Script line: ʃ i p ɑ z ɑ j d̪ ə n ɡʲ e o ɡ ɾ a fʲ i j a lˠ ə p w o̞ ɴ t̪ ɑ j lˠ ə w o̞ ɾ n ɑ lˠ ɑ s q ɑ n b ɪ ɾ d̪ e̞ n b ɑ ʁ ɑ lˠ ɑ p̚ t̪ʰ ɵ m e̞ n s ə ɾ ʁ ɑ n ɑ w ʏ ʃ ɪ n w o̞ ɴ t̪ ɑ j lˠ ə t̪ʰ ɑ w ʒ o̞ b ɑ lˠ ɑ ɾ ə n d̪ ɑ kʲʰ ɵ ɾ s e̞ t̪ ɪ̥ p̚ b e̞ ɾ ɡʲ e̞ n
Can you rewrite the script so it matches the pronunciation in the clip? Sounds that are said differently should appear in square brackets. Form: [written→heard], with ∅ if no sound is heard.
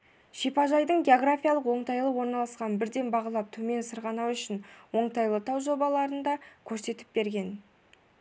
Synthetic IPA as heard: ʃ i p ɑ [z→ʒ] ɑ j d̪ ə [n→ɴ] ɡʲ e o ɡ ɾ a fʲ i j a lˠ ə [p→q] w o̞ ɴ t̪ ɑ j lˠ ə w o̞ ɾ n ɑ lˠ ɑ s q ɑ n b ɪ ɾ d̪ e̞ n b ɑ ʁ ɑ lˠ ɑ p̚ t̪ʰ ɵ m e̞ n s ə ɾ ʁ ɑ n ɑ w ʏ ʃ ɪ n w o̞ ɴ t̪ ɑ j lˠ ə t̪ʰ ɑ w ʒ o̞ b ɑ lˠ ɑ ɾ ə n d̪ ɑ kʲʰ ɵ ɾ s e̞ t̪ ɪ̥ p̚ b e̞ ɾ ɡʲ e̞ n